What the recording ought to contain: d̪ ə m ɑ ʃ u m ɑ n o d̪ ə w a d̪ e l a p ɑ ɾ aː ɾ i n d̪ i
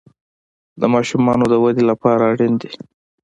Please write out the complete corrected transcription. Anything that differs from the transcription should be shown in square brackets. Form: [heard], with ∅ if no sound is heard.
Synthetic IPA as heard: d̪ ə m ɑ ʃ u m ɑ n o d̪ ə w a d̪ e l a p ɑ ɾ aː [ɽ] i n d̪ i